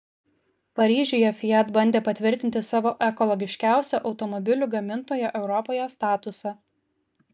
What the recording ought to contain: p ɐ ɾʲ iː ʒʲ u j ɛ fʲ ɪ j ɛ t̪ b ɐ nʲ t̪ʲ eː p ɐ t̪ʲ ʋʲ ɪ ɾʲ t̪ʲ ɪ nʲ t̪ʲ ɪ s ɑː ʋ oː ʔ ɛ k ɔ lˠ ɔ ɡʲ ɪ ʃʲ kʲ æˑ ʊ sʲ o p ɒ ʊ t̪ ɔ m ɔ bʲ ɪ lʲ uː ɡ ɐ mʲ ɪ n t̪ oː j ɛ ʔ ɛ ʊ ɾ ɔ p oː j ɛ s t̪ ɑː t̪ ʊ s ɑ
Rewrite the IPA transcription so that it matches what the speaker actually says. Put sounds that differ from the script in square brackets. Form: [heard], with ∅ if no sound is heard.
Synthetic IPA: p ɐ ɾʲ iː ʒʲ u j ɛ fʲ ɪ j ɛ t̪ b ɐ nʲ [d̪ʲ] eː p ɐ t̪ʲ ʋʲ ɪ ɾʲ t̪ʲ ɪ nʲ t̪ʲ ɪ s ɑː ʋ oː ʔ ɛ k ɔ lˠ ɔ ɡʲ ɪ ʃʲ kʲ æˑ ʊ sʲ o [ʔ] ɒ ʊ t̪ ɔ m ɔ bʲ ɪ lʲ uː ɡ ɐ mʲ ɪ n t̪ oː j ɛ ʔ ɛ ʊ ɾ ɔ p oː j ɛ s t̪ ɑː t̪ ʊ s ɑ